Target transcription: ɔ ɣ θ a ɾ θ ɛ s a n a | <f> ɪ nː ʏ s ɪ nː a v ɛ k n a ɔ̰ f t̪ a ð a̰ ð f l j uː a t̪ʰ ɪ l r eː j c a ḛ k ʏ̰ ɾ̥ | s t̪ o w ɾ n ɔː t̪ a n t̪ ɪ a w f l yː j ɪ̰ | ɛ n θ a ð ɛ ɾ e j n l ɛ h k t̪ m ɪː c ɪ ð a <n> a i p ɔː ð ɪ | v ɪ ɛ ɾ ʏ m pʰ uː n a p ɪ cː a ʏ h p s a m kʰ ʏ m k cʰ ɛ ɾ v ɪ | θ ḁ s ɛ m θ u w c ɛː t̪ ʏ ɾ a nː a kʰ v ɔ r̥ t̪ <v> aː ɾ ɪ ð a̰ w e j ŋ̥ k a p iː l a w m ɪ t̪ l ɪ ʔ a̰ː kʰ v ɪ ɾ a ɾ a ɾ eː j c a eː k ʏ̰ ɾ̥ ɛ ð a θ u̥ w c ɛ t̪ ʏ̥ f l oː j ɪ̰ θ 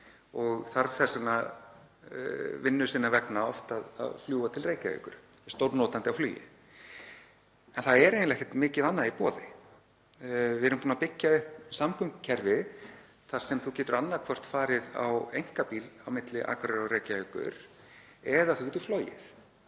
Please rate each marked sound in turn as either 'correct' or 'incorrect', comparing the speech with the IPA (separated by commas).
incorrect, incorrect, incorrect